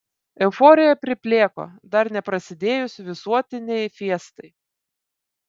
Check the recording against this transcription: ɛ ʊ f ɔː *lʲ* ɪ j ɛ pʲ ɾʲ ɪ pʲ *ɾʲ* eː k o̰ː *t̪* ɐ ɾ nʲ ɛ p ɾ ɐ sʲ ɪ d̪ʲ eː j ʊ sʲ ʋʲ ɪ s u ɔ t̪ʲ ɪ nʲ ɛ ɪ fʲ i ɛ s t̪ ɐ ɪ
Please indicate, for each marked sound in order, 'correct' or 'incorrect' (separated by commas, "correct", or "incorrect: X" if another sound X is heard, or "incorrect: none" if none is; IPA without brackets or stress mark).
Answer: incorrect: ɾʲ, incorrect: lʲ, incorrect: d̪